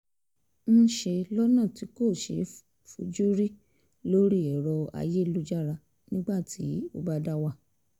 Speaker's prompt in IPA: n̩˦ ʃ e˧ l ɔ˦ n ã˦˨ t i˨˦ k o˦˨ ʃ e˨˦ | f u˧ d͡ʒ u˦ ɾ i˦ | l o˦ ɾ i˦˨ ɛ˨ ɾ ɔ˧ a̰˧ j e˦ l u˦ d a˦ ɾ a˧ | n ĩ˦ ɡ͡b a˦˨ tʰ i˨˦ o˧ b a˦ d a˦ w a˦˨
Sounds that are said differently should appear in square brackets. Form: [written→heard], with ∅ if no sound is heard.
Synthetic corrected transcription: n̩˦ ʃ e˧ l ɔ˦ n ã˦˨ t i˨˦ k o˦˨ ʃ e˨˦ | f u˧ d͡ʒ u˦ ɾ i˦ | l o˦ ɾ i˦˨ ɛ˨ ɾ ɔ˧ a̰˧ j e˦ l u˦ [d→d͡ʒ] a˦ ɾ a˧ | n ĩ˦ ɡ͡b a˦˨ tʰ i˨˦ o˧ b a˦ d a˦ w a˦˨